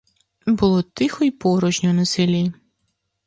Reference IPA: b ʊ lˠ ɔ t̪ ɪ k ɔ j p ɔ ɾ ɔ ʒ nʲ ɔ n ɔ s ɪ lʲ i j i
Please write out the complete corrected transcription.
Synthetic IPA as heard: b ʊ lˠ ɔ t̪ ɪ x ɔ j p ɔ ɾ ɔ ʒ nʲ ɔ n ɔ s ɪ lʲ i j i

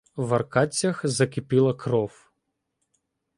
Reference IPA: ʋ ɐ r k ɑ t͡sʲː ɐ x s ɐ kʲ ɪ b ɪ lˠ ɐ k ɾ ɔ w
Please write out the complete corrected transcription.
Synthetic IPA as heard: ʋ ɐ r k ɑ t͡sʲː ɐ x z ɐ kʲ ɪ p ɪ lˠ ɐ k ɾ ɔ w

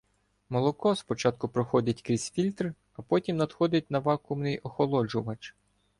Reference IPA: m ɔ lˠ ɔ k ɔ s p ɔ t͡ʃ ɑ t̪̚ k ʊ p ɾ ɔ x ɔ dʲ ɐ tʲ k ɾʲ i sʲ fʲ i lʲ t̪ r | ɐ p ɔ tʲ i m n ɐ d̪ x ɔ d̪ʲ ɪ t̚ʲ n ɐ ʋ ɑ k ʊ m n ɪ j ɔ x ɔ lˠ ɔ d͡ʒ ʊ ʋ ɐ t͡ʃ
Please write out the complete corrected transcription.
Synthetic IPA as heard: m ɔ lˠ ɔ k ɔ s p ɔ t͡ʃ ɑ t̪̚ k ʊ p ɾ ɔ x ɔ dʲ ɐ tʲ k ɾʲ i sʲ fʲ i lʲ t̪ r | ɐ p ɔ tʲ i m n ɐ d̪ x ɔ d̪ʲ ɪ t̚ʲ n ɐ ʋ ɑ k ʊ m n ɪ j ɔ x ɔ lˠ ɔ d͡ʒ ʊ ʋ ɐ t͡ʃ

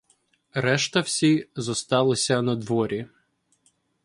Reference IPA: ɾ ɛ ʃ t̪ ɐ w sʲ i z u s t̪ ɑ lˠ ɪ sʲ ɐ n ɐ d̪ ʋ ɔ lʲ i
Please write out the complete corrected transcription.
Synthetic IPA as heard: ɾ ɛ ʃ t̪ ɐ w sʲ i z ɔ s t̪ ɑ lˠ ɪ sʲ ɐ n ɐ d̪ ʋ ɔ ɾʲ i

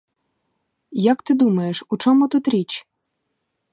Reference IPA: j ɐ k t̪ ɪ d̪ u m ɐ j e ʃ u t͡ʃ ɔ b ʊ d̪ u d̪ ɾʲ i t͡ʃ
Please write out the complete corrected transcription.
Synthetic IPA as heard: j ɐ k t̪ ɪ d̪ u m ɐ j e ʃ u t͡ʃ ɔ m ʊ t̪ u t̪ ɾʲ i t͡ʃ

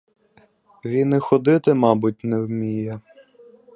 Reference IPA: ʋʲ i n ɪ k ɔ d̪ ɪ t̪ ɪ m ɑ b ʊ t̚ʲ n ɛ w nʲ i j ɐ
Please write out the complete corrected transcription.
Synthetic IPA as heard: ʋʲ i n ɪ x ɔ d̪ ɪ t̪ ɪ m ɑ b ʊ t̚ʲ n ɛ w mʲ i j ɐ

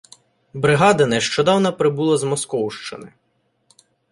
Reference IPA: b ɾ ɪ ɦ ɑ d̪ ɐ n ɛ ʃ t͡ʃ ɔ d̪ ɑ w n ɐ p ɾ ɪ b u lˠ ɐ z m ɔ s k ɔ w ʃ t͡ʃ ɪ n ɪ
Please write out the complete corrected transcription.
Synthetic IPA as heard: b ɾ ɪ ɦ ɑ d̪ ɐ n ɛ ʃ t͡ʃ ɔ d̪ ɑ w n ɐ p ɾ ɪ b u lˠ ɐ z m ɔ s k ɔ w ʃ t͡ʃ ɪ n ɪ

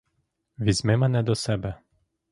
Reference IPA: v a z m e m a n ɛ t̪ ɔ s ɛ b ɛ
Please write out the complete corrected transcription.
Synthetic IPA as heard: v i z m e m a n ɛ d̪ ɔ s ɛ b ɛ

